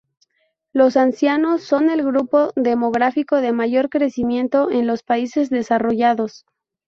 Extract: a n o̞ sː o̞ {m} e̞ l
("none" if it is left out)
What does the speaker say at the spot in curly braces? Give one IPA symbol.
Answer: n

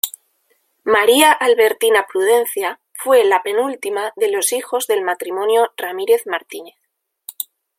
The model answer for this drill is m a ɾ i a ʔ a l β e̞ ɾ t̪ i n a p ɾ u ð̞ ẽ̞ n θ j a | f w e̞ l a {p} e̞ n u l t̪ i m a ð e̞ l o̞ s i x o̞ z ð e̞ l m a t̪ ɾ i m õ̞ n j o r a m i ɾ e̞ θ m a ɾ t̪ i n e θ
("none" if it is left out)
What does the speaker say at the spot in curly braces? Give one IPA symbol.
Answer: p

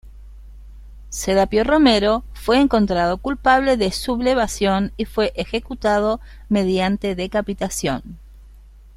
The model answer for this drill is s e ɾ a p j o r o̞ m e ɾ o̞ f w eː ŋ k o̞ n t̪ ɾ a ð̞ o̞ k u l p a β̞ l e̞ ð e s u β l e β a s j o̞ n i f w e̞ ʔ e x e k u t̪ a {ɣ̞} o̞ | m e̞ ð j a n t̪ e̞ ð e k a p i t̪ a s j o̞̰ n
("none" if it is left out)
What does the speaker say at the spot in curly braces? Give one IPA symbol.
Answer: ð̞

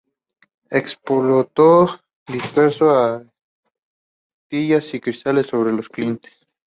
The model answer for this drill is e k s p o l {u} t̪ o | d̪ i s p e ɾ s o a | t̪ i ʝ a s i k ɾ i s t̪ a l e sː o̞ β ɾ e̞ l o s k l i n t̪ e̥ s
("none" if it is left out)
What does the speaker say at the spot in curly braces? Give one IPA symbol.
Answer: o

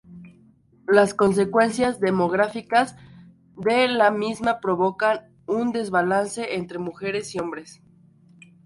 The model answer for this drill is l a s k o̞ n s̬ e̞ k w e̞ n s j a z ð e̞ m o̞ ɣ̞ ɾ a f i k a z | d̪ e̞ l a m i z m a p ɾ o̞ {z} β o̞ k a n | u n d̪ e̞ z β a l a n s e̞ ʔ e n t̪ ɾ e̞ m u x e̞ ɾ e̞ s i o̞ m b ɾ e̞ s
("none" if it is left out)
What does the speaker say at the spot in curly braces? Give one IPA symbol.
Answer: none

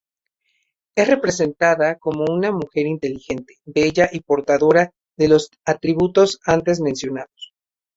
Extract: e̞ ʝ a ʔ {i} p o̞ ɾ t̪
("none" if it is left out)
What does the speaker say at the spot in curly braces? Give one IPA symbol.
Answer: i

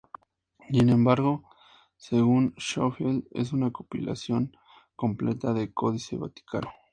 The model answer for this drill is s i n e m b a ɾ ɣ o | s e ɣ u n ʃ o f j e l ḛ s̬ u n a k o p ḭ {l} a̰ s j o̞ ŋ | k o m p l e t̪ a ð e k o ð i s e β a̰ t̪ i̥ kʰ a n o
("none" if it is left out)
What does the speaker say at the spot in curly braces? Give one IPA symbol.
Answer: l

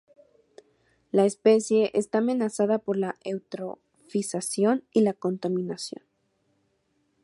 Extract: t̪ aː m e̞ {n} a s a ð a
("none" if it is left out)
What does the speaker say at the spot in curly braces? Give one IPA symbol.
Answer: n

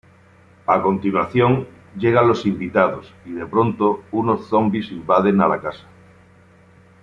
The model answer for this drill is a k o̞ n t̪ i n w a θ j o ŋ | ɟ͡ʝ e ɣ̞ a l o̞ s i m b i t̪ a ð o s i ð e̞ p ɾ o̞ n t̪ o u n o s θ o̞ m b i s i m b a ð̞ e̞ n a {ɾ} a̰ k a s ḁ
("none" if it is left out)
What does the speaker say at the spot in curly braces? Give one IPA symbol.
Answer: l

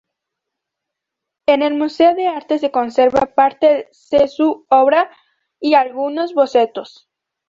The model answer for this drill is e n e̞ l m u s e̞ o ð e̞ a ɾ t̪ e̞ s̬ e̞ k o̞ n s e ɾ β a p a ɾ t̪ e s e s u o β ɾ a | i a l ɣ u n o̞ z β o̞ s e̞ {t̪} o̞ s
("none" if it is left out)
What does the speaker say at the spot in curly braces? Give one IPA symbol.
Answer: t̪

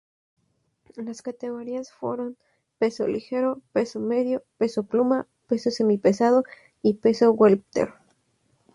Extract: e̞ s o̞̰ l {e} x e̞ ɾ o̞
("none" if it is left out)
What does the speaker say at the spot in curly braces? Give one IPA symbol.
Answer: i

